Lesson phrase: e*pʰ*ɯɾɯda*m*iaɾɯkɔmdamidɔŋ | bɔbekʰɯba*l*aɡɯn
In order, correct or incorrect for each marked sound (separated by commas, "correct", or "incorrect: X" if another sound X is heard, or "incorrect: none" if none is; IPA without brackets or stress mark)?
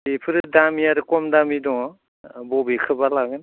correct, correct, correct